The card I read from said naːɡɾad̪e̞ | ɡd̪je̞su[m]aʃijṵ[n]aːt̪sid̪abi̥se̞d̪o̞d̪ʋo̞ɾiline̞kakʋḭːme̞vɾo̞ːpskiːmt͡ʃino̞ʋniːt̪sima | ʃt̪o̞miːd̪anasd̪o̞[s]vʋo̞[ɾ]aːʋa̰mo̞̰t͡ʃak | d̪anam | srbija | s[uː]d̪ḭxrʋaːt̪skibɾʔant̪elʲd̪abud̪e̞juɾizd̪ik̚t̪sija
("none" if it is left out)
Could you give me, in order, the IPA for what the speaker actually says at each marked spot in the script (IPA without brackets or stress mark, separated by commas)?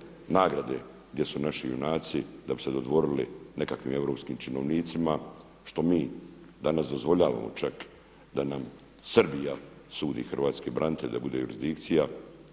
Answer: n, n, z, ʎ, uː